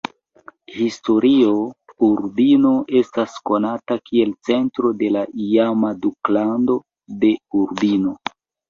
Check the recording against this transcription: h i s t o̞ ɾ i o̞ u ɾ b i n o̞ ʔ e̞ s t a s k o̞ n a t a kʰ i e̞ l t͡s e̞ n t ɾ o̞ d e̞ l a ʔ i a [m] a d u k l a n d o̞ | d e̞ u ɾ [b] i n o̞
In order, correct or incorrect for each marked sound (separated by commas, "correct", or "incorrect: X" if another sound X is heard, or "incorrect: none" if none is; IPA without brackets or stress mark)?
correct, correct